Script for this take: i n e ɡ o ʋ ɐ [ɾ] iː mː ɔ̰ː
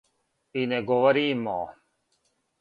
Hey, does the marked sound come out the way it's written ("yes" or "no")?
yes